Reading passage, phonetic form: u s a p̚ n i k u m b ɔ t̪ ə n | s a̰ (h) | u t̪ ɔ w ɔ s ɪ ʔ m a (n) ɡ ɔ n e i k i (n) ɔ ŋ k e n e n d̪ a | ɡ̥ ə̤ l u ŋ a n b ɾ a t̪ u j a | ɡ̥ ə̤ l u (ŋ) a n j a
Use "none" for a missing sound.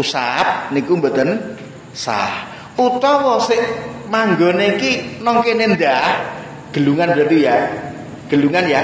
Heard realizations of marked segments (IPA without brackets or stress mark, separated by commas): h, ŋ, n, ŋ